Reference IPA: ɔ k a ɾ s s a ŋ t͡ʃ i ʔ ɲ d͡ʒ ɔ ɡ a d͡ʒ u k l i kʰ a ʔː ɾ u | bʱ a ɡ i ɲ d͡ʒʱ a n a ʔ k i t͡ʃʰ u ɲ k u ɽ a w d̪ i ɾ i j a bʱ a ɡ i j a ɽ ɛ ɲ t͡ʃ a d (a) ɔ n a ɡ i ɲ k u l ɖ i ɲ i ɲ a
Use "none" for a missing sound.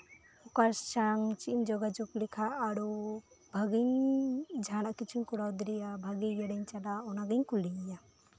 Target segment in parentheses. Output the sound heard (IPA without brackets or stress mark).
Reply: a